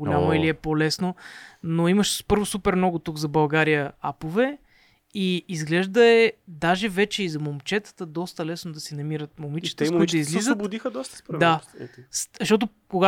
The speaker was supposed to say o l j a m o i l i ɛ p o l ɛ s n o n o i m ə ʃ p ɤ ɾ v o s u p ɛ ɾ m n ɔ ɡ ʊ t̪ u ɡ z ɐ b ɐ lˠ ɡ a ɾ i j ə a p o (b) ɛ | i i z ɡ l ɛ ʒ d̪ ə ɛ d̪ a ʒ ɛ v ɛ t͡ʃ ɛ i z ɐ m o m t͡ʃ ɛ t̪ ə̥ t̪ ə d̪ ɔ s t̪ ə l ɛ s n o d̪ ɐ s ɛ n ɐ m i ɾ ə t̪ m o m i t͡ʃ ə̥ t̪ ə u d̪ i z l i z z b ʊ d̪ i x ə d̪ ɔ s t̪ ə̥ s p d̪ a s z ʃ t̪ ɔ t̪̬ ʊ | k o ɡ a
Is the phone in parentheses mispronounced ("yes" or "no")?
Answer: yes